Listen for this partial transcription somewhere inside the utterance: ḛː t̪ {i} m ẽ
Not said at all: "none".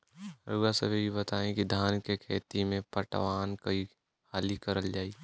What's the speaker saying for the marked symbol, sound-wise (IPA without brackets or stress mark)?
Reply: i